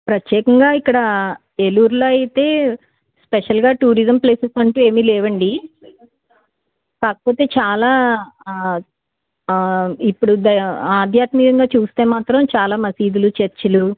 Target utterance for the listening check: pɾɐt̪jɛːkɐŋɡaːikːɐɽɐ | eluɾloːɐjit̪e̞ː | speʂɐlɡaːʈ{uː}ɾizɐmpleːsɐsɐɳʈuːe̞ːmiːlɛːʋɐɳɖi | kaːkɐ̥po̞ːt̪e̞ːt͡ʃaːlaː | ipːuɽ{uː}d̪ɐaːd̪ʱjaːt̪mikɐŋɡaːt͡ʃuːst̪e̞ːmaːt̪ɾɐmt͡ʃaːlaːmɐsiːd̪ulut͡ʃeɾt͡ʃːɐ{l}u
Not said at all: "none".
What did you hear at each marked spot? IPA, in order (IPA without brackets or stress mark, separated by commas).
uː, u, l